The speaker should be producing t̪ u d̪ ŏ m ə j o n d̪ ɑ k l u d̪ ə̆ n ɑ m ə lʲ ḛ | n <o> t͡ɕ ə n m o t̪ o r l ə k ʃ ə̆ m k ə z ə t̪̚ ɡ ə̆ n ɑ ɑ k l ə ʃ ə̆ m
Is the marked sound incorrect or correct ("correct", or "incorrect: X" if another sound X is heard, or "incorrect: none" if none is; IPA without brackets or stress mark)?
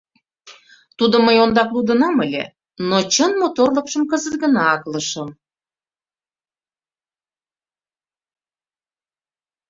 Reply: correct